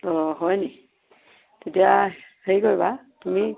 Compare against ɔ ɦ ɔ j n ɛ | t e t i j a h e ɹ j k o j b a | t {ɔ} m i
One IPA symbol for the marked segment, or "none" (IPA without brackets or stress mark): u